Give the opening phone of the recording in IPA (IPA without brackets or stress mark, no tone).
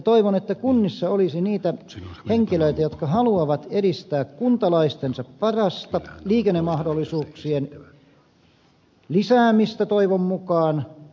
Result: t̪